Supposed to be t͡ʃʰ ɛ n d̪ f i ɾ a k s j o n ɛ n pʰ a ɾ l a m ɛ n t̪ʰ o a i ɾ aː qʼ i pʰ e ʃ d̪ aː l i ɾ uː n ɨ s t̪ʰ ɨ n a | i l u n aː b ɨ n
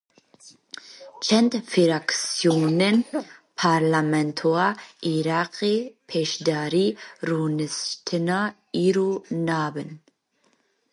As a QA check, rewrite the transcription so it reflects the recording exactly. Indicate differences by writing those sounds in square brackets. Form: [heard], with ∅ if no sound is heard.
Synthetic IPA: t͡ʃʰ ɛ n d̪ f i ɾ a k s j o n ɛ n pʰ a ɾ l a m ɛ n t̪ʰ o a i ɾ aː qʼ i pʰ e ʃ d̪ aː [ɾ] i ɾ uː n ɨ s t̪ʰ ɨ n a | i [ɾ] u n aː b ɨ n